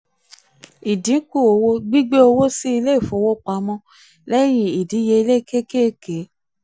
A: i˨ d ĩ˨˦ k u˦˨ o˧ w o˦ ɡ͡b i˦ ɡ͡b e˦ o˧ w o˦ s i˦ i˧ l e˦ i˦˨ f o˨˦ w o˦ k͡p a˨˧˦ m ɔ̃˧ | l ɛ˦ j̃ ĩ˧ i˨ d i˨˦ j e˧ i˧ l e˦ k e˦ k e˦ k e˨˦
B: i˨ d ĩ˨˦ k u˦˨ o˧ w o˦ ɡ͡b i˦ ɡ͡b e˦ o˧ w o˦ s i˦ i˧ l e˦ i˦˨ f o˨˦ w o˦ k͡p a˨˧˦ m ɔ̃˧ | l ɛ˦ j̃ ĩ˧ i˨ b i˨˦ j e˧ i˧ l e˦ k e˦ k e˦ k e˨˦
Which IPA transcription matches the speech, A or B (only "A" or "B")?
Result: A